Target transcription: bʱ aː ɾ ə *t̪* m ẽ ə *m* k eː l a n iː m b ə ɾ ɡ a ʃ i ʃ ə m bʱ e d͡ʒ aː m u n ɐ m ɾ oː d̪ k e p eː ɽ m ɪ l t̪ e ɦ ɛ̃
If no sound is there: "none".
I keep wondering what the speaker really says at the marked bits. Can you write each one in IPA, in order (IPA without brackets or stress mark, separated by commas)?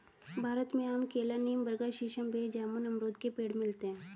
t̪, m